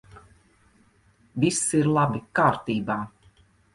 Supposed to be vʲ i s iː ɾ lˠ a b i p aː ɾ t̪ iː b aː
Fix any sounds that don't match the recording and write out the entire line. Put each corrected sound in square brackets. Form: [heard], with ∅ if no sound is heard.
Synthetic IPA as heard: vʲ i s [i] ɾ lˠ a b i [k] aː ɾ t̪ iː b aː